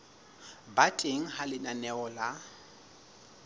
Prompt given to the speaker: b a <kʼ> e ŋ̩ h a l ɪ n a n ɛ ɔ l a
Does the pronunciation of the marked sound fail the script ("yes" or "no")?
yes